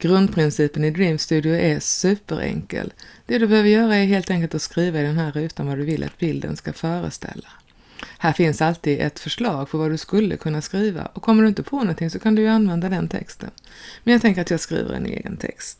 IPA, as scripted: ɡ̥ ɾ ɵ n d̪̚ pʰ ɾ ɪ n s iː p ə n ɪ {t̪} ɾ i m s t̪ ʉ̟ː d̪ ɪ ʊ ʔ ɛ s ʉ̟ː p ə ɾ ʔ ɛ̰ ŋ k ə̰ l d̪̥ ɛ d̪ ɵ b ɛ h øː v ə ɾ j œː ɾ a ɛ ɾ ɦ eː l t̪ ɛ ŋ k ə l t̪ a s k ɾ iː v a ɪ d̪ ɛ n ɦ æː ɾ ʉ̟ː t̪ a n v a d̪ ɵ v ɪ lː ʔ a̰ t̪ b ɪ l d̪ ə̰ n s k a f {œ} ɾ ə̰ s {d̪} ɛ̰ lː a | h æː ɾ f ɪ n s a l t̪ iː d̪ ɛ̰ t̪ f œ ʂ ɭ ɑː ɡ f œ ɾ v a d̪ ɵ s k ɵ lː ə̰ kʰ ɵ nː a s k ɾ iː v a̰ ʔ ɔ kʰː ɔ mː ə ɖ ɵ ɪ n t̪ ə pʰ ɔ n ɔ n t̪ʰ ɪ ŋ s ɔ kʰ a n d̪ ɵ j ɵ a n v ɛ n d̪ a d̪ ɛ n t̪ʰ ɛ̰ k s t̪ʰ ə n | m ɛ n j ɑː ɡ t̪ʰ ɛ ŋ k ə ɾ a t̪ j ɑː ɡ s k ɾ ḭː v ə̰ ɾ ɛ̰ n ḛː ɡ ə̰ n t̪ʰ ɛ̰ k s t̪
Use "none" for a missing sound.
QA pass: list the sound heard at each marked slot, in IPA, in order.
d̪, œː, t̪

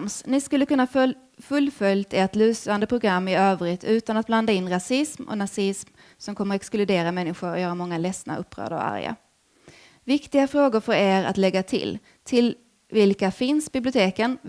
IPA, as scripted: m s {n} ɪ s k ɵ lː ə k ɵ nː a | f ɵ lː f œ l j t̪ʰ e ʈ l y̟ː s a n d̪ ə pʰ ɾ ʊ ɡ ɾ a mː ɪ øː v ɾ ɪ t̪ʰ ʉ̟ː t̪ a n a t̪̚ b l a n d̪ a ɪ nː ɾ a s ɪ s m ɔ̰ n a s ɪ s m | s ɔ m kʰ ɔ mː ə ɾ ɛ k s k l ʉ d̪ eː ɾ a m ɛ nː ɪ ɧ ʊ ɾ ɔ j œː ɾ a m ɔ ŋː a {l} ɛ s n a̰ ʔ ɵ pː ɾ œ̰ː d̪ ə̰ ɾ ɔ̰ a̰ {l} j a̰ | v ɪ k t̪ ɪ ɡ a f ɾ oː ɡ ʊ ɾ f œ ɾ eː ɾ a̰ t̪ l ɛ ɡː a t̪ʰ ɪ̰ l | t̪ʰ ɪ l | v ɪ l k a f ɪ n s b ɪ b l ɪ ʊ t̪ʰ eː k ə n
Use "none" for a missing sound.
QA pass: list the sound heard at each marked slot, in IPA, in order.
n, l, ɾ

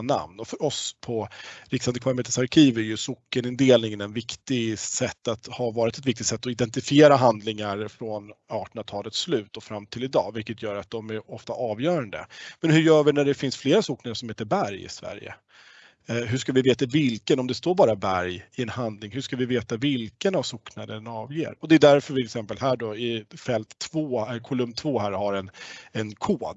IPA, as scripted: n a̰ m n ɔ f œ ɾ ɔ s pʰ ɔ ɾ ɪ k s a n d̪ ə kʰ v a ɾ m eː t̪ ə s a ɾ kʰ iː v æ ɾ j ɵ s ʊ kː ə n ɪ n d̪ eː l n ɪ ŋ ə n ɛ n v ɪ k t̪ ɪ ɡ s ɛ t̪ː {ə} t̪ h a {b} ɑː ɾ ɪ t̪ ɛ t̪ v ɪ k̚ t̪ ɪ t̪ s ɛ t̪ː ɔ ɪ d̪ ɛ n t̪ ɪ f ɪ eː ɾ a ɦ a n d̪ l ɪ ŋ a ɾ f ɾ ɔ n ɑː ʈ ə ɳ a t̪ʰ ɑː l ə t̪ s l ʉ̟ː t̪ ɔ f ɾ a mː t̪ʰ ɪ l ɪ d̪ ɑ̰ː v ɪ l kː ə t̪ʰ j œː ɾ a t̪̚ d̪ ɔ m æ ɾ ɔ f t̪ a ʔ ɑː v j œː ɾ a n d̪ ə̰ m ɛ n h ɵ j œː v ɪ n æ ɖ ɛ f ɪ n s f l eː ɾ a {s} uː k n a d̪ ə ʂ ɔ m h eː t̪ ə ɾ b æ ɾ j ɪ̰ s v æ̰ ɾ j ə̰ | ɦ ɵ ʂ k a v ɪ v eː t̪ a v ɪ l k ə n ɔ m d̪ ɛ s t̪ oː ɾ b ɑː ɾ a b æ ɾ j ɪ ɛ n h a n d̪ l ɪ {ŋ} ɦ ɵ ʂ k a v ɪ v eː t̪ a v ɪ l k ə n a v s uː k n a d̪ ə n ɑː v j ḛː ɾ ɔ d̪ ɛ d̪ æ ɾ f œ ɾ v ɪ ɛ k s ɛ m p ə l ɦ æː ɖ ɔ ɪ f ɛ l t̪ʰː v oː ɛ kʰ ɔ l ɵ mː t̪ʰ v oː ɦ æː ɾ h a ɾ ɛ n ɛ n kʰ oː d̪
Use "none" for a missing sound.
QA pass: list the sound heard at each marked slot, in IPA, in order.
a, v, s, ŋ

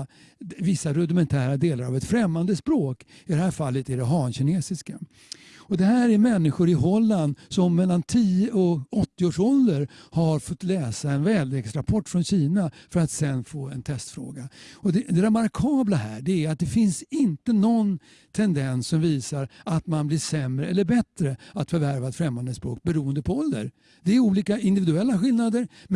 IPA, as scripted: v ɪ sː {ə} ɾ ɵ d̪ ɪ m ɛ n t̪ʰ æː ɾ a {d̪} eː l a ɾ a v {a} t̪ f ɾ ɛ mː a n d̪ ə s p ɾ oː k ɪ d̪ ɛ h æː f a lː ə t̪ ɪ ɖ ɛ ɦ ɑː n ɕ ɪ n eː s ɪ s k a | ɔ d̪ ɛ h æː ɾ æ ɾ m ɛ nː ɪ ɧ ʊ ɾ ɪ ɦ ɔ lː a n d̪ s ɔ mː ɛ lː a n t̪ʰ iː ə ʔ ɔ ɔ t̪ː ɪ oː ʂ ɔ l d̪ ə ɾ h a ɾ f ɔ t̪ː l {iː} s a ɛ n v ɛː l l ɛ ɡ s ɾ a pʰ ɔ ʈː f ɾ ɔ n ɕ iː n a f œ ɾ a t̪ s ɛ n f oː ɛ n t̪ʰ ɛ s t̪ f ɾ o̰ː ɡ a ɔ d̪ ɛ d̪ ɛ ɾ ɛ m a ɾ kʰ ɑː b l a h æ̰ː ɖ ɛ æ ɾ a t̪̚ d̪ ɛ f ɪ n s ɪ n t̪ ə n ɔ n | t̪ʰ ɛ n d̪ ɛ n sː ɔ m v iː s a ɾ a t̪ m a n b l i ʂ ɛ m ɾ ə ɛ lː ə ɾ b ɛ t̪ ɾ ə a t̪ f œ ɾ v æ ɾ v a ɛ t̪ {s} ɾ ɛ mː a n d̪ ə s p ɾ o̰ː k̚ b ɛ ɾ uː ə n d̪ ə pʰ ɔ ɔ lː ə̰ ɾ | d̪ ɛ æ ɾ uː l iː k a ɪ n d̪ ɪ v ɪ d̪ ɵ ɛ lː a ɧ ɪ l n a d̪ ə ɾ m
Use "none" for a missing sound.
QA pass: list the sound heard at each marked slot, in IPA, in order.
a, d̪, ɛ, ɛː, f

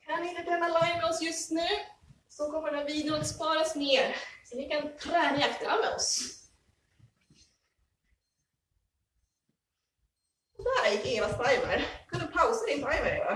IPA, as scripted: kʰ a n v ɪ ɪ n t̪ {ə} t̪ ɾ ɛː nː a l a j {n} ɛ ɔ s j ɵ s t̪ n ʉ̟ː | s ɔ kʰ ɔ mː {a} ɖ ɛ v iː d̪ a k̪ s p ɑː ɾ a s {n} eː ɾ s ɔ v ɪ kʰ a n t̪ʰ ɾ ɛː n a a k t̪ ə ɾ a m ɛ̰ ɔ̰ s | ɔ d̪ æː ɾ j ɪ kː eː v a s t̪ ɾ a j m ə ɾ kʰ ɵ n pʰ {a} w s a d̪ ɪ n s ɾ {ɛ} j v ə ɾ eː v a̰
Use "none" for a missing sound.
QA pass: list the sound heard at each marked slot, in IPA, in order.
ə, m, ə, n, a, a

